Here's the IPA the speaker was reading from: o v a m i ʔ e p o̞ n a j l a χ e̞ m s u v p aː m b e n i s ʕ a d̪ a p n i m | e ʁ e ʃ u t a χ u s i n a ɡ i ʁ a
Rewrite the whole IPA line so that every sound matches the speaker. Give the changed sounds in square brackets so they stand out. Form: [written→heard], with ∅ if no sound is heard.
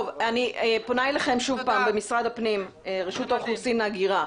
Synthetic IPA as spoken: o v a [m→n] i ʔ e p o̞ n a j l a χ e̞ m [s→ʃ] u v p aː m b e [n→m] i s [ʕ→ʁ] a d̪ a p n i m | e ʁ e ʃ u t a χ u s i n a ɡ i ʁ a